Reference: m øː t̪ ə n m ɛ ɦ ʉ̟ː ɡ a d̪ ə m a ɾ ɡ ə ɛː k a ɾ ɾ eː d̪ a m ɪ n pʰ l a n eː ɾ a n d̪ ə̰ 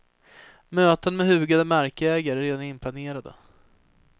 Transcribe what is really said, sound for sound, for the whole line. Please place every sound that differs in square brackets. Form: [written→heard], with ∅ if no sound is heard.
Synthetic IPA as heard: m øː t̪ ə n m ɛ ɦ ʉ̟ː ɡ a d̪ ə m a ɾ [ɡ→k] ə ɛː [k→ɡ] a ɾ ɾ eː d̪ a [m→n] ɪ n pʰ l a n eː ɾ a [n→∅] d̪ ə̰